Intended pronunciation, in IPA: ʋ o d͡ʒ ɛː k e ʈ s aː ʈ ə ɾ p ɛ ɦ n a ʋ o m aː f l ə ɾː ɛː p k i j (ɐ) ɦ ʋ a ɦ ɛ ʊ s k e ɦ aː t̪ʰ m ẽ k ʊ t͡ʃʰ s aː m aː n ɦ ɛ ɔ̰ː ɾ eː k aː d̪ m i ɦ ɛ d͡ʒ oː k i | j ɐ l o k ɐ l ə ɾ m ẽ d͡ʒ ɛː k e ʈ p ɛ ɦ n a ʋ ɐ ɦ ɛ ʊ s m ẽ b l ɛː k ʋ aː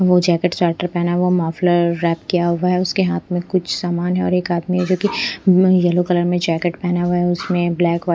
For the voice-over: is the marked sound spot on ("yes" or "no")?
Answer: no